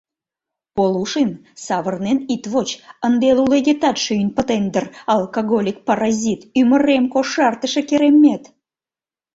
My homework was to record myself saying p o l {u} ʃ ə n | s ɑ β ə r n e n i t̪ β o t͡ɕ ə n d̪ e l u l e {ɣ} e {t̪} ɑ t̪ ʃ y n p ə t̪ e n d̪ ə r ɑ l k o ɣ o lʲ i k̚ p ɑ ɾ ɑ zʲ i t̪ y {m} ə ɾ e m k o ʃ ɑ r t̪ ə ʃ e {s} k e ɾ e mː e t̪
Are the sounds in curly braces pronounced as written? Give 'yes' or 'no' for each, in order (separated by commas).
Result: yes, yes, yes, yes, no